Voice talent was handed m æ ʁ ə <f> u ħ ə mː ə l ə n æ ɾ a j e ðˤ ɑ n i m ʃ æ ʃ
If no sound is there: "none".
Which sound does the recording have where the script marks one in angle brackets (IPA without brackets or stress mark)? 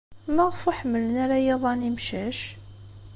f